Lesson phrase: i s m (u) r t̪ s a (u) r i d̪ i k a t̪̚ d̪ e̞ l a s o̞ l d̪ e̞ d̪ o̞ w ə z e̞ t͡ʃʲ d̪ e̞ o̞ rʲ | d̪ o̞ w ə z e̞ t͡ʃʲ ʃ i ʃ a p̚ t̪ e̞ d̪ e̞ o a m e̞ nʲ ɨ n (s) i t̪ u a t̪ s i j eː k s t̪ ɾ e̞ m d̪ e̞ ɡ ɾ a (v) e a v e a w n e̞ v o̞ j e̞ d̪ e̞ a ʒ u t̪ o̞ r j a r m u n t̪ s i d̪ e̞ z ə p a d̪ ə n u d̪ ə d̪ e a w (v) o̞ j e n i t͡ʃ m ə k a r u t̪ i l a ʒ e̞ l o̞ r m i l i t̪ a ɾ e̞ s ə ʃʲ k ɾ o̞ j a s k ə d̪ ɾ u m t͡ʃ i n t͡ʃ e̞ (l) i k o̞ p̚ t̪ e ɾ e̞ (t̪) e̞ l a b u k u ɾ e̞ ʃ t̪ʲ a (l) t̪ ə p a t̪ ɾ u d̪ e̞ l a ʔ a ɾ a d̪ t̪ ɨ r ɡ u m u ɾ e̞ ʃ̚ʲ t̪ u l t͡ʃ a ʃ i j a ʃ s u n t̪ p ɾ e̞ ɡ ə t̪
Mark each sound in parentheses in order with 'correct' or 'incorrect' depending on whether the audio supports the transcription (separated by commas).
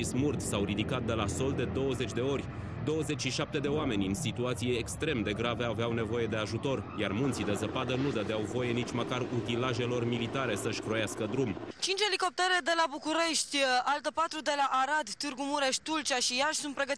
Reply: correct, incorrect, correct, correct, correct, correct, incorrect, correct